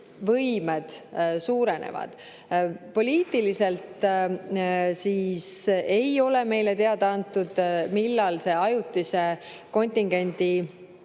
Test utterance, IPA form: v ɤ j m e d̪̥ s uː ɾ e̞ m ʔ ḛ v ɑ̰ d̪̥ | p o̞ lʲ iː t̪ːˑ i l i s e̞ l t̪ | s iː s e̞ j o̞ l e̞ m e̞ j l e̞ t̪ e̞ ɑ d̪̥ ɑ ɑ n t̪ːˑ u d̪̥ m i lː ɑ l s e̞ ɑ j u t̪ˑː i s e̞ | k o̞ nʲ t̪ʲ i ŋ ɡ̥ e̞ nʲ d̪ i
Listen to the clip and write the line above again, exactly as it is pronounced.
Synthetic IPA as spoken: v ɤ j m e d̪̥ s uː ɾ e̞ n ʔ ḛ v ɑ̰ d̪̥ | p o̞ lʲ iː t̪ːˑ i l i s e̞ l t̪ | s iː s e̞ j o̞ l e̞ m e̞ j l e̞ t̪ e̞ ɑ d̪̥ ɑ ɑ n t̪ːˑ u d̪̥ m i lː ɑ l s e̞ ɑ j u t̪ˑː i s e̞ | k o̞ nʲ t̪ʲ i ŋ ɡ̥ e̞ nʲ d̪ i